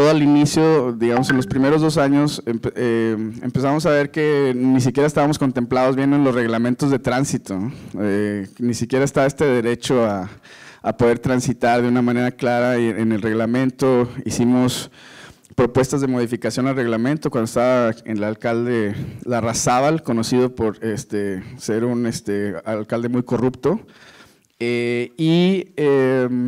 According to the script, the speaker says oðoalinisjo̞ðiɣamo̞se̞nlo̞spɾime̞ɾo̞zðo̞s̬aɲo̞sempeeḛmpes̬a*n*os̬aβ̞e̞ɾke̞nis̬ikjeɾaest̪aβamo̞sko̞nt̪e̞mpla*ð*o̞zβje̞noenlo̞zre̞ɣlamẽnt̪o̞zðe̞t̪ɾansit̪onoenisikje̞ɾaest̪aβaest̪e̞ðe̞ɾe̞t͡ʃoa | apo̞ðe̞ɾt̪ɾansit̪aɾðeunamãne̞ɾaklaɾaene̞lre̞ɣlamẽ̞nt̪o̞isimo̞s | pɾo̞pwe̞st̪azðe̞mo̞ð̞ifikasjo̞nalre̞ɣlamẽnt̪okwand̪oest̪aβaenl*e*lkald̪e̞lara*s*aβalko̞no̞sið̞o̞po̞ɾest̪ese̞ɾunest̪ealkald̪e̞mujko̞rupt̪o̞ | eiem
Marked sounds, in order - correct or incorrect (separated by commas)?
incorrect, correct, incorrect, correct